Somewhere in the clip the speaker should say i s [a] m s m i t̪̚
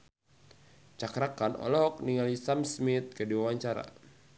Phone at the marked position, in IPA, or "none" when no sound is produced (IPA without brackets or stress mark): a